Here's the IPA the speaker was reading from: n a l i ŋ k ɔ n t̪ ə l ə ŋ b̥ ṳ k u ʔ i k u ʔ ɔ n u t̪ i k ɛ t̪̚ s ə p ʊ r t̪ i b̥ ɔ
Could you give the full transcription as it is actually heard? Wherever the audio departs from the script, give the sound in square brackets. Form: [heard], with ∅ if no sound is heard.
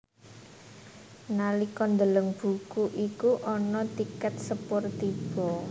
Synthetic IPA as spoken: n a l i [∅] k ɔ n [d̪] ə l ə ŋ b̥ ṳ k u ʔ i k u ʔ ɔ n [ɔ] t̪ i k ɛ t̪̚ s ə p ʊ r t̪ i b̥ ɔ